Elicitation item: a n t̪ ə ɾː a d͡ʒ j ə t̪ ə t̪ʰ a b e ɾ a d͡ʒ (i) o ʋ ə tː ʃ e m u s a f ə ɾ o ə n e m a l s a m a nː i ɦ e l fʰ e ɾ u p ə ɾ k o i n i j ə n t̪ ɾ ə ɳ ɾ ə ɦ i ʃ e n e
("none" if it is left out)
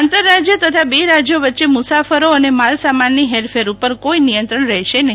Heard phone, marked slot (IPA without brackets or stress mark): j